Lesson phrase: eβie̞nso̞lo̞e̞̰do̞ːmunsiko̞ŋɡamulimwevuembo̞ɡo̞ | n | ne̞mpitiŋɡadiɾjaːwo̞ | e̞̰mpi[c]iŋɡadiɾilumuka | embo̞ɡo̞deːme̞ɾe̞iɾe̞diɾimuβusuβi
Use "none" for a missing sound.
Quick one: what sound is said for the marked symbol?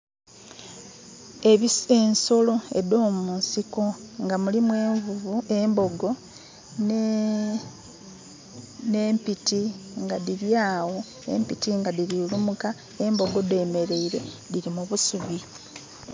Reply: t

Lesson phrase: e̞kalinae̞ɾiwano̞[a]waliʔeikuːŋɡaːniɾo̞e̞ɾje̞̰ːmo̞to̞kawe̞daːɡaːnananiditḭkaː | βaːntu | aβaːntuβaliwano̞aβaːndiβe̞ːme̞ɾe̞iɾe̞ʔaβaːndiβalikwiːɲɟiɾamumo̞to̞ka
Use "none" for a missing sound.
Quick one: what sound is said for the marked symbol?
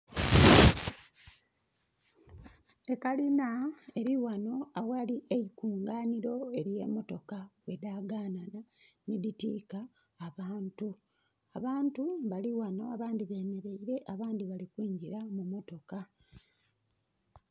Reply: a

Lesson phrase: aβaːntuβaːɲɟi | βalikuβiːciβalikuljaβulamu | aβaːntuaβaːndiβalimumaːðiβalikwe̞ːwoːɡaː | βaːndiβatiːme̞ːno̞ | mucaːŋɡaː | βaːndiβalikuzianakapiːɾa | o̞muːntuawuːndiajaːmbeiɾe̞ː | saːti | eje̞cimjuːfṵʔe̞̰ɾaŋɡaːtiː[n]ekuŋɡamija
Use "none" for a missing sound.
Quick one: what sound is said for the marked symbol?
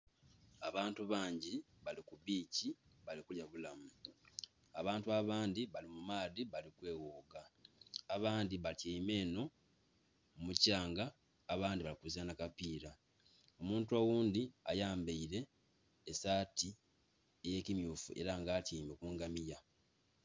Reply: m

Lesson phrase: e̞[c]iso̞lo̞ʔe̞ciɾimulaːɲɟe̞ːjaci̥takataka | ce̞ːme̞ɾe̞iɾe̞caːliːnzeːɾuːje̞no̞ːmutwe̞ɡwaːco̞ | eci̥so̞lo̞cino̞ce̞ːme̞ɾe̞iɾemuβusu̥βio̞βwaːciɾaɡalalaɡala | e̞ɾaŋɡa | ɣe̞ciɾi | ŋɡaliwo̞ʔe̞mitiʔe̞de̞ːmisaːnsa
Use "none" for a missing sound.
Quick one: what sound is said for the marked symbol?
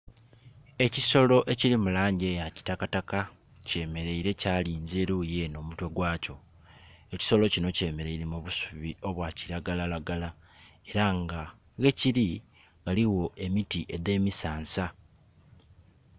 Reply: c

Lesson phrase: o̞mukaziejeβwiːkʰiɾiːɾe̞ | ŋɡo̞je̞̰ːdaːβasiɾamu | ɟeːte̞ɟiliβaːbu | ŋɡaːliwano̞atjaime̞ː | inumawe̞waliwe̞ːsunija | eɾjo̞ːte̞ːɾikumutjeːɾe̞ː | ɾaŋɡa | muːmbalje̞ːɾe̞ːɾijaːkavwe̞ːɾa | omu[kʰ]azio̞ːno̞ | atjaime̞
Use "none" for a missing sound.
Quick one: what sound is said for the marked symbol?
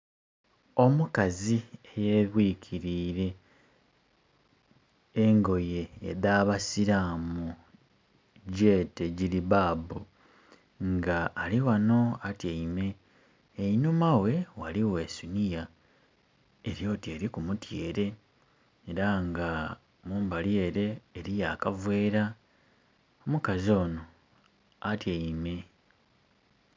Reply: k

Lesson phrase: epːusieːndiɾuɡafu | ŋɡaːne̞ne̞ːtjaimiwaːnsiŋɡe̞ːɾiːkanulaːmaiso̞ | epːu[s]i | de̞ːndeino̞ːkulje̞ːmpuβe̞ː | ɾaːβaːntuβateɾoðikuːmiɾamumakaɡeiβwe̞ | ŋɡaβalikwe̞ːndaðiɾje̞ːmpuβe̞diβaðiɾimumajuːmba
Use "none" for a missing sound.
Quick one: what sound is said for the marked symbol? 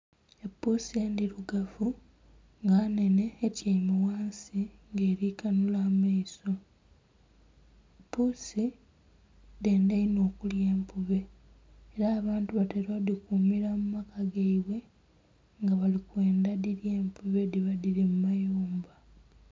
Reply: s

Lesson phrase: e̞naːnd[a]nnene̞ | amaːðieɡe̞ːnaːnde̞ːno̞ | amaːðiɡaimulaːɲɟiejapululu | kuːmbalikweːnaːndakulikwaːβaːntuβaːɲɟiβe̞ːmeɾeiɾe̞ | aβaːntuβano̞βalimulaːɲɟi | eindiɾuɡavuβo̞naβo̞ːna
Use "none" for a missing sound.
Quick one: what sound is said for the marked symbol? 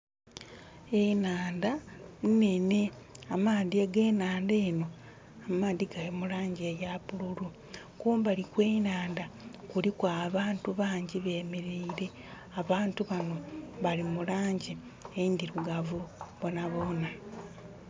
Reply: a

